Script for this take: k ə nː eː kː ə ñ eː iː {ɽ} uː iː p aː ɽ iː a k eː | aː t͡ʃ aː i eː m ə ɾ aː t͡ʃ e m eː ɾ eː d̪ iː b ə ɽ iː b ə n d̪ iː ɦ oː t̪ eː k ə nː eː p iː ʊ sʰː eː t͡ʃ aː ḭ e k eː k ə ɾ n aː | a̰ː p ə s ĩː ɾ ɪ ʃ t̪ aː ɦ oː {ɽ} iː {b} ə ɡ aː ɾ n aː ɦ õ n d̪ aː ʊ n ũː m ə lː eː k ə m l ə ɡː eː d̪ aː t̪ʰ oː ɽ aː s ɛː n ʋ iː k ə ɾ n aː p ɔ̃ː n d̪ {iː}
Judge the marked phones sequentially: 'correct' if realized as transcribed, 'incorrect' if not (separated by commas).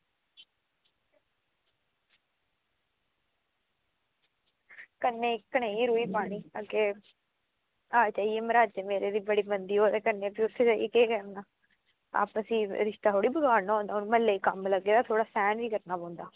incorrect, correct, correct, incorrect